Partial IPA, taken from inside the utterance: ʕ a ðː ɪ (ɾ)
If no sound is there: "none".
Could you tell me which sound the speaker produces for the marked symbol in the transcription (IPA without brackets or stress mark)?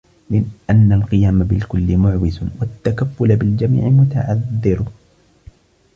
ɾ